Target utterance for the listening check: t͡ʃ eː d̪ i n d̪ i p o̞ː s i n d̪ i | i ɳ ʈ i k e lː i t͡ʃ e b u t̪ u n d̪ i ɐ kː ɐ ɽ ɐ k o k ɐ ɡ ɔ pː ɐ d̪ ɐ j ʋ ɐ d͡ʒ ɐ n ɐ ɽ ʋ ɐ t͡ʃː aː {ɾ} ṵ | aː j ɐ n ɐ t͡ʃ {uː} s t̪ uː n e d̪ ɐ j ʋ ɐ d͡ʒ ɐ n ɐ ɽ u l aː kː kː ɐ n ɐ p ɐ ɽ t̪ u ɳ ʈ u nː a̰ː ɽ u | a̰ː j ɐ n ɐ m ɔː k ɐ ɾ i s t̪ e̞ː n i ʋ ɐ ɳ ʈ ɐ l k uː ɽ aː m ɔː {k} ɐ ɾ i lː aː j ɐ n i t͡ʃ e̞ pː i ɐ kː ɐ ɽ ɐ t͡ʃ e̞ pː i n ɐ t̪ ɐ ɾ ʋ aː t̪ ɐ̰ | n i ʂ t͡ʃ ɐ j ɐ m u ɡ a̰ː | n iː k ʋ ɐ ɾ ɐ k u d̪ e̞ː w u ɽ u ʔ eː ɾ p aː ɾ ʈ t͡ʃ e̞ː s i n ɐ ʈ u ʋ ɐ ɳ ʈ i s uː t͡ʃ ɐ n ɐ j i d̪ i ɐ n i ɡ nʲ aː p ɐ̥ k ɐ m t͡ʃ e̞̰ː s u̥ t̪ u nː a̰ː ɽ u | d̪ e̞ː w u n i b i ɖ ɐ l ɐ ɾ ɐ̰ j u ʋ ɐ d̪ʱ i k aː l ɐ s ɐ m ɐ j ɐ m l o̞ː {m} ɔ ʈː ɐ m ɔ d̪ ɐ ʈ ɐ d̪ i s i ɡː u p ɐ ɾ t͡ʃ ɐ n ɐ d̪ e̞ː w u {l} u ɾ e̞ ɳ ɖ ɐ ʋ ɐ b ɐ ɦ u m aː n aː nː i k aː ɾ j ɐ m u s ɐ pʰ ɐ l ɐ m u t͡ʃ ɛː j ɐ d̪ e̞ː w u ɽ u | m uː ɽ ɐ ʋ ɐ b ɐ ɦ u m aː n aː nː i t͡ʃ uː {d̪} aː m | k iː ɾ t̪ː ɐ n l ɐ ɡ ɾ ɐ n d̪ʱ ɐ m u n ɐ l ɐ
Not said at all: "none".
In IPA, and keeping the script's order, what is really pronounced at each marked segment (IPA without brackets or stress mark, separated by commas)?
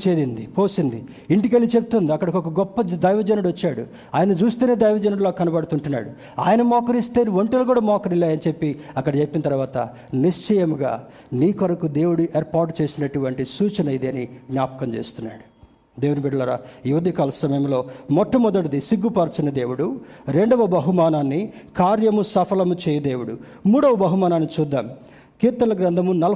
ɽ, uː, k, m, ɽ, d̪ː